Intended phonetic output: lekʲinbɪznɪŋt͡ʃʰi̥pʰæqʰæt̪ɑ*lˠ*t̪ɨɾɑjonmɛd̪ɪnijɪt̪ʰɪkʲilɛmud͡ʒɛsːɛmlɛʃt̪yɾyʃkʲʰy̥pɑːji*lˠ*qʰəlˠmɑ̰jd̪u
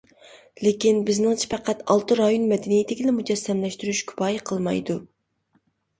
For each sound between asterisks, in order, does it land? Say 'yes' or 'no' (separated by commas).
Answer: yes, no